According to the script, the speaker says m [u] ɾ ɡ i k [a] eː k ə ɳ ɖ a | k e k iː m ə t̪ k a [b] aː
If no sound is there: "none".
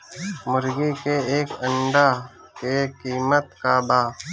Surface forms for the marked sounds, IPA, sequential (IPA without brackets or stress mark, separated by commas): ʊ, e, b